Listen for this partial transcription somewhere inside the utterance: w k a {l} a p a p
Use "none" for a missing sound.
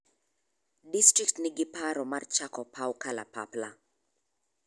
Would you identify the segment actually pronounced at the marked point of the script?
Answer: l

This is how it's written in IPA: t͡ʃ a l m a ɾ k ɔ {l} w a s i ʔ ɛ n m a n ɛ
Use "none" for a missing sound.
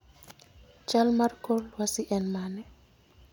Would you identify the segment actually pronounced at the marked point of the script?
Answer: l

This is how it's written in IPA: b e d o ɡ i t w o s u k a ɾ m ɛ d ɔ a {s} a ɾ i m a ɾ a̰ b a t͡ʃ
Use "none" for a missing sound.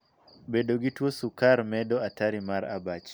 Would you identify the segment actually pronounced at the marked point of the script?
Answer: t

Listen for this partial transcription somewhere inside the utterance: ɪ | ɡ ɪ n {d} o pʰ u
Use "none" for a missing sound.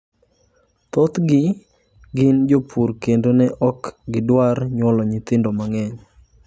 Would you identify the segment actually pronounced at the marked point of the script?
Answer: d͡ʒ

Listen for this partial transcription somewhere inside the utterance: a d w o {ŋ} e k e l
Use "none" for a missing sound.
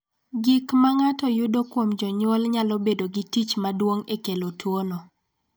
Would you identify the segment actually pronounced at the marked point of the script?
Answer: ŋ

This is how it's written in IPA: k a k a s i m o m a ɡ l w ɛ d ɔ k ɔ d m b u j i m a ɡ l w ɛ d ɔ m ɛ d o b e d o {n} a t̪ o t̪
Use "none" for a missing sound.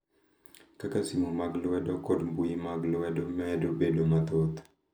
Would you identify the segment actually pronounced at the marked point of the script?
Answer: m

